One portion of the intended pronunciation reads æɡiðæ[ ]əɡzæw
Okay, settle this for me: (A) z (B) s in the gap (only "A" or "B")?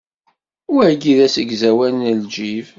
B